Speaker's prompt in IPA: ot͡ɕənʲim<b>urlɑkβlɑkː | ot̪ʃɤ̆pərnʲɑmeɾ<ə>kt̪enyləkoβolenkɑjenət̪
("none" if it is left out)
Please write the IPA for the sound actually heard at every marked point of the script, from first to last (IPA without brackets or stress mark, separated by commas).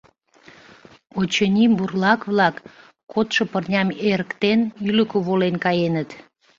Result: b, ə